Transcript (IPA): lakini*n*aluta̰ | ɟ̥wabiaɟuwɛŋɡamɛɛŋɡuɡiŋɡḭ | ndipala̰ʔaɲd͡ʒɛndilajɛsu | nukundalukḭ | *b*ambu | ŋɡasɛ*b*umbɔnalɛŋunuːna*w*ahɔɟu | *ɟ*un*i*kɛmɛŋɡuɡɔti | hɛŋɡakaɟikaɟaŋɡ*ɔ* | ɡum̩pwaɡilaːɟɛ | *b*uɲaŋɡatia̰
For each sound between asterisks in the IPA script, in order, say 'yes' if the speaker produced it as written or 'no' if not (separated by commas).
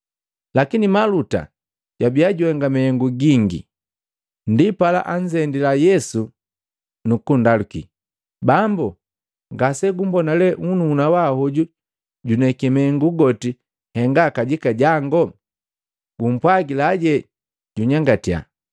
no, yes, no, yes, yes, no, yes, no